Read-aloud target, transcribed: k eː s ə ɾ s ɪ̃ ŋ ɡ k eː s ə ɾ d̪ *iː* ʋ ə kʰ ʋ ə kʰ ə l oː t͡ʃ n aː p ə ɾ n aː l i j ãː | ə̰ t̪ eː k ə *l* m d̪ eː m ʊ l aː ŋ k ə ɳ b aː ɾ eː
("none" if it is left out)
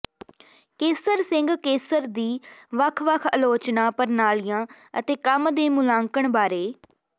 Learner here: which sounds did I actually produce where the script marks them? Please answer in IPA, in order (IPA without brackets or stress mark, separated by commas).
iː, none